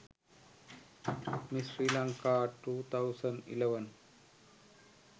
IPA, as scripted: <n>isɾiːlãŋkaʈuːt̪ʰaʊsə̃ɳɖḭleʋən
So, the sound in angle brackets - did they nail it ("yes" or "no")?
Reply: no